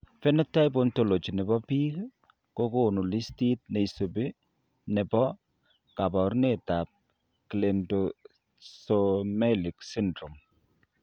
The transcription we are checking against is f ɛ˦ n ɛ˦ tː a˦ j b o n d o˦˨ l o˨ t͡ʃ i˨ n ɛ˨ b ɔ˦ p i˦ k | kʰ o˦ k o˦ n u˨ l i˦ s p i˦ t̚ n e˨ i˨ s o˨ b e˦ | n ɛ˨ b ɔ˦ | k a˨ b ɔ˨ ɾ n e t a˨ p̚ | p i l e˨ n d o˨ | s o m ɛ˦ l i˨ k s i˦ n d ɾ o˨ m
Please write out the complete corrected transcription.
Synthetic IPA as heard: f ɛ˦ n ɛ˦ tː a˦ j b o n t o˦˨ l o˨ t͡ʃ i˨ n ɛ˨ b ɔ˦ p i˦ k | k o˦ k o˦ n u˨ l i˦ s t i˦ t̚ n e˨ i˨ s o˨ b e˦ | n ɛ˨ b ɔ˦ | k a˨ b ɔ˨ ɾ n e t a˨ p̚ | k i l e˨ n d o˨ | s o m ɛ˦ l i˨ k s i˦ n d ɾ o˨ m